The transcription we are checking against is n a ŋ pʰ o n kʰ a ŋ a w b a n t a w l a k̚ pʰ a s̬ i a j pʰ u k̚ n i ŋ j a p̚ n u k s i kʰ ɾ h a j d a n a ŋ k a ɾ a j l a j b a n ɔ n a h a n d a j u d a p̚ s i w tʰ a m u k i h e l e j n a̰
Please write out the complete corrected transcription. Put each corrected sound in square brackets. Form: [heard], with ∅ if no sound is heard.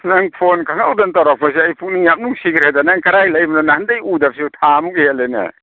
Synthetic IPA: n a ŋ pʰ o n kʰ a ŋ a w [d] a n t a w [ɾ] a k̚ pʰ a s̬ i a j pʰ u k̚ n i ŋ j a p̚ n u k s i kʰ ɾ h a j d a n a ŋ k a ɾ a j l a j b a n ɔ n a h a n d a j u d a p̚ s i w tʰ a m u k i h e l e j n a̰